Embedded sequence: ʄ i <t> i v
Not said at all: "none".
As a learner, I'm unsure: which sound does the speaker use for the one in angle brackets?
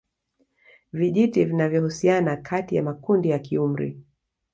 t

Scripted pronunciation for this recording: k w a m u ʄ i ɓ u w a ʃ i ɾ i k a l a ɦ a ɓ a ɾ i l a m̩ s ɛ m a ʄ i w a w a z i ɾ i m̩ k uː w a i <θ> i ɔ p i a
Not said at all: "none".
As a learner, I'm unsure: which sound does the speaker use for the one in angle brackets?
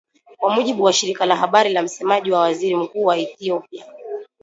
θ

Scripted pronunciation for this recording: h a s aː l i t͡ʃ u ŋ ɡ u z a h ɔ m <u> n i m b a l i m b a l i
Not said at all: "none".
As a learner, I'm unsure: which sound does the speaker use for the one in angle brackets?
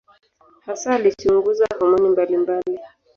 ɔ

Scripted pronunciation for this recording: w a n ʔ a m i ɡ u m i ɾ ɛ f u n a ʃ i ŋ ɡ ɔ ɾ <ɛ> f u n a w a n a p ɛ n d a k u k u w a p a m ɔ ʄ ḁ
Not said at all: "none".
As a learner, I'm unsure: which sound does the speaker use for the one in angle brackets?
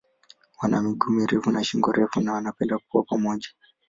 ɛ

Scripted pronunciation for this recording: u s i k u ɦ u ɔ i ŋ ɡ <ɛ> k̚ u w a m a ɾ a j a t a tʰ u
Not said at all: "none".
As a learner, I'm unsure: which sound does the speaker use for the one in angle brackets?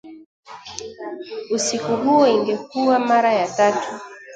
ɛ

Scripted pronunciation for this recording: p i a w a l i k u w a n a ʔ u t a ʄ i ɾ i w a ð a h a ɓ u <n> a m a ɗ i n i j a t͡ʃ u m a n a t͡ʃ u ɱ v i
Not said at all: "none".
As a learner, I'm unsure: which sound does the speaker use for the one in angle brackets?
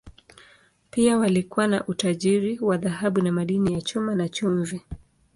n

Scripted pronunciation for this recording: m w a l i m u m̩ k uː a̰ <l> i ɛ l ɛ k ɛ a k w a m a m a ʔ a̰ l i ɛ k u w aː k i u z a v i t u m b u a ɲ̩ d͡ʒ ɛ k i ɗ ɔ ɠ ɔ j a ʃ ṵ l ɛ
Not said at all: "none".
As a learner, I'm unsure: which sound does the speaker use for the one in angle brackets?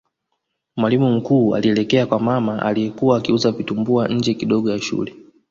l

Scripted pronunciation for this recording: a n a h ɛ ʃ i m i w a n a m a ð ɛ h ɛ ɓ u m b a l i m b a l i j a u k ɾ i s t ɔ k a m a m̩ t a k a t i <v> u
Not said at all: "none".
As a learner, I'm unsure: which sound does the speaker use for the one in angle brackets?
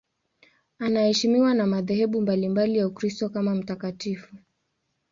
f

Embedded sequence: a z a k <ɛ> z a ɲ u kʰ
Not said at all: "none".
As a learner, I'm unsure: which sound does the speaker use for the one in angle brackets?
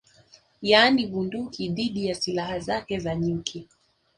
ɛ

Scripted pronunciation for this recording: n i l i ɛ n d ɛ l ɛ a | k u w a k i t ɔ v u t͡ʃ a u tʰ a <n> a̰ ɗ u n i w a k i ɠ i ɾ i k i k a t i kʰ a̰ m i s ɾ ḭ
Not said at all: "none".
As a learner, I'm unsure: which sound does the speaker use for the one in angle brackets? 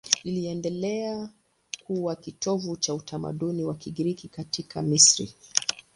m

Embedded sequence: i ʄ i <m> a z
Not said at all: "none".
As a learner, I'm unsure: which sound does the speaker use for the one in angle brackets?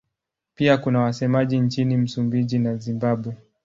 n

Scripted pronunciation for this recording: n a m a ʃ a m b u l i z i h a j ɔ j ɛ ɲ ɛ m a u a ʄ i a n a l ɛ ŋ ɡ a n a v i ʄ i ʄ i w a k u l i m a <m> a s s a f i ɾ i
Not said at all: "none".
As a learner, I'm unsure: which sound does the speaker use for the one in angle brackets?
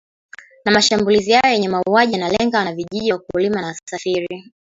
n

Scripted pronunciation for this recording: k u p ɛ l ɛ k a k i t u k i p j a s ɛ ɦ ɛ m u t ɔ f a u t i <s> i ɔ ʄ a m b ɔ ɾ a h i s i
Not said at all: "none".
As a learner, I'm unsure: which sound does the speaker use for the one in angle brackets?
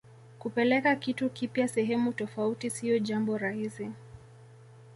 s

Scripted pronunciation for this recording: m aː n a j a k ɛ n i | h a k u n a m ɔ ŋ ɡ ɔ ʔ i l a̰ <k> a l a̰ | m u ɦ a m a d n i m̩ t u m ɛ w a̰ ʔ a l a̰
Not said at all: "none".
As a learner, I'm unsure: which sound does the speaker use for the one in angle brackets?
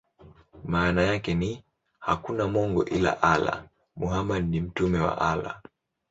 ʔ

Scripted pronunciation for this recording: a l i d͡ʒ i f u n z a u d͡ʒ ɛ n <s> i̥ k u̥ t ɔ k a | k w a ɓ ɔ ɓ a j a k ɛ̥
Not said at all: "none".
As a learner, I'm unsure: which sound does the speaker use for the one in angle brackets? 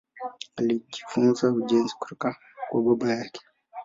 z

